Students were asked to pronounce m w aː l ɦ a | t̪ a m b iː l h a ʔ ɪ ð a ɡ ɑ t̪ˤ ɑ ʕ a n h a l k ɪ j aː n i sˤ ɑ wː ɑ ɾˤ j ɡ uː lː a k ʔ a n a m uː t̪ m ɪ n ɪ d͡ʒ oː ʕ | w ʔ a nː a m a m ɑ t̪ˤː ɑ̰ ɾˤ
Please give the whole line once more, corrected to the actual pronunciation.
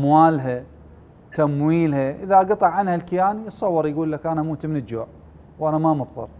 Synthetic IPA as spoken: m w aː l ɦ a | t̪ a m w iː l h a ʔ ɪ ð a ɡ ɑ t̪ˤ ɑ ʕ a n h a l k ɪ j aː n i sˤ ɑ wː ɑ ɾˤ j ɡ uː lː a k ʔ a n a m uː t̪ m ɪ n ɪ d͡ʒ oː ʕ | w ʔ a n a m a m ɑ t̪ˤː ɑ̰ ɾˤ